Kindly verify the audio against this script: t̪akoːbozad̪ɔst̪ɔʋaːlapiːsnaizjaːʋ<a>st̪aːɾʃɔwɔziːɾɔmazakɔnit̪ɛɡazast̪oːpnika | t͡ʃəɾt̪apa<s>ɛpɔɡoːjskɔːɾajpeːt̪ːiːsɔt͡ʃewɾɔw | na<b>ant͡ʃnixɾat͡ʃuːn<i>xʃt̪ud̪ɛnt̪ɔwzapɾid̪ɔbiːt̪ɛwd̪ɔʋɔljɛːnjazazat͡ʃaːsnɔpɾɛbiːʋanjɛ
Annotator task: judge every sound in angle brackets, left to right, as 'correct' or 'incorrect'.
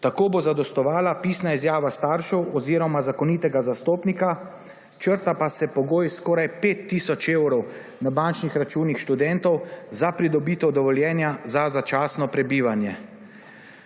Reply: correct, correct, correct, correct

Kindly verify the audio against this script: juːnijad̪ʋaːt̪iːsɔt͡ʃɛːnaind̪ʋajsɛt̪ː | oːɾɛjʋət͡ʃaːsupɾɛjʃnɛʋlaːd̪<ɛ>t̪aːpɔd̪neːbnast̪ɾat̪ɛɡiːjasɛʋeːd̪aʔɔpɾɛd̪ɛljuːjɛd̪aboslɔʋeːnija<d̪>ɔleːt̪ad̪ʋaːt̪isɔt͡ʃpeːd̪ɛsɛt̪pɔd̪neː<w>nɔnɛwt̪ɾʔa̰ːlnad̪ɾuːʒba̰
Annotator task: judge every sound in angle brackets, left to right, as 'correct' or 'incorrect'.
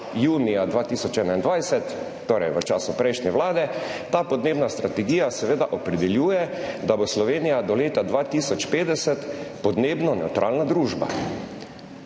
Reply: correct, correct, incorrect

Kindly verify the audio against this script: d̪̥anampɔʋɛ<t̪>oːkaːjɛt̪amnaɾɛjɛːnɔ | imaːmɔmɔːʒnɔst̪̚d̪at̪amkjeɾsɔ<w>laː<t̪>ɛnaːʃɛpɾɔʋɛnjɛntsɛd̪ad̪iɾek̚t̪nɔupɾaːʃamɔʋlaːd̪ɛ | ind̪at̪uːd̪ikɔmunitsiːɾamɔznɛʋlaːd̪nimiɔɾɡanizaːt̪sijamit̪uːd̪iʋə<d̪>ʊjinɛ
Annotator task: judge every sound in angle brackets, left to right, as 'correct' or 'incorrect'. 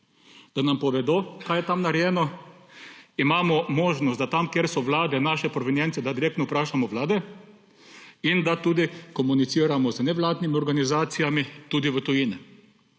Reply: incorrect, incorrect, incorrect, incorrect

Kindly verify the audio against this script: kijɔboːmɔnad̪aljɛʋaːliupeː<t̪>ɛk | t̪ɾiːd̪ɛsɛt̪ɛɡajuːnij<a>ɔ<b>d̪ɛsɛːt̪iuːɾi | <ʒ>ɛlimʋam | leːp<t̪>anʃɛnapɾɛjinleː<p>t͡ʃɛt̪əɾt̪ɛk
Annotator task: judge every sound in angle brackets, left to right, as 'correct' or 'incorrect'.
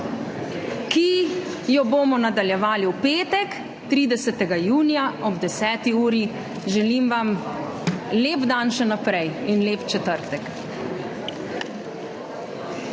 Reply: correct, correct, correct, correct, incorrect, correct

